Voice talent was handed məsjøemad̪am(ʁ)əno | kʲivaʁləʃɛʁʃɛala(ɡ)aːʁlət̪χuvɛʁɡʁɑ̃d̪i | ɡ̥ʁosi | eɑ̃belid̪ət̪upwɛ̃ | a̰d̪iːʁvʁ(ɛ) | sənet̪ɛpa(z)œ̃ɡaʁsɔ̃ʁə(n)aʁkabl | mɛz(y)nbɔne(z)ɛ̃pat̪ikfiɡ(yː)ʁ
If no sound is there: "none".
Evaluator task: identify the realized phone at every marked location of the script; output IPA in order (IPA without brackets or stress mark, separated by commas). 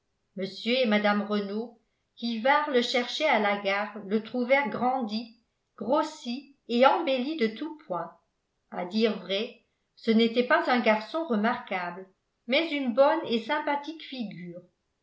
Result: ʁ, ɡ, ɛ, z, m, y, s, yː